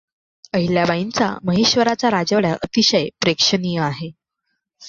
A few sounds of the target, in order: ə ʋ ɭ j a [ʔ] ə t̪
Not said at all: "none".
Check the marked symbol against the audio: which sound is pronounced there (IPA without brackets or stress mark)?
ʔ